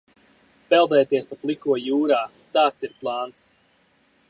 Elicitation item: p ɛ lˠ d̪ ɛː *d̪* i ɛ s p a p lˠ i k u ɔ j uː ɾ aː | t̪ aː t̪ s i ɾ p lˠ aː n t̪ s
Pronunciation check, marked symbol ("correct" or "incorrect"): incorrect